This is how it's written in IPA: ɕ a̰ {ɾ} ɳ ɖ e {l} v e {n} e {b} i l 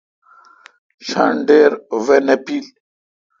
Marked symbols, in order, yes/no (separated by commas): no, no, yes, no